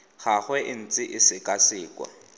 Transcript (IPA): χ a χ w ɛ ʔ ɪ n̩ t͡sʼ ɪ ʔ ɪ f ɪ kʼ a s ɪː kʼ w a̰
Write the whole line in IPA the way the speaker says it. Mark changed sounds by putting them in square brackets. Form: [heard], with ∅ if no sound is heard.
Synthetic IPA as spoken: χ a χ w ɛ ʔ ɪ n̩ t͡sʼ ɪ ʔ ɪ [s] ɪ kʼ a s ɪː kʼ w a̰